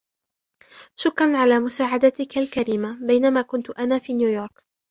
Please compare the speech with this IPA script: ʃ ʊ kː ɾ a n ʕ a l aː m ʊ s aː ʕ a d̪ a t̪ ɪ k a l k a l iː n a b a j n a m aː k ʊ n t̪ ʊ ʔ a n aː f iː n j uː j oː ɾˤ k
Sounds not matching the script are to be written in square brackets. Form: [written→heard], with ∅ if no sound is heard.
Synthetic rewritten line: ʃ ʊ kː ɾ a n ʕ a l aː m ʊ s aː ʕ a d̪ a t̪ ɪ k a l k a [l→ɾ] iː [n→m] a b a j n a m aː k ʊ n t̪ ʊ ʔ a n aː f iː n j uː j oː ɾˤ k